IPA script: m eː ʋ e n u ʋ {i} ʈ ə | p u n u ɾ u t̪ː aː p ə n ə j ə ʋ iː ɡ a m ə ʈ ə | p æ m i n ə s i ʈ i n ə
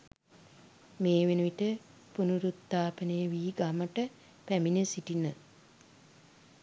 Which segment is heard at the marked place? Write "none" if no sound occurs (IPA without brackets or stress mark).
i